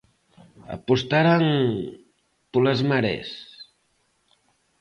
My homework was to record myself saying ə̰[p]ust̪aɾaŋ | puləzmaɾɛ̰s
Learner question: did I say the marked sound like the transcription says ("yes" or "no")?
yes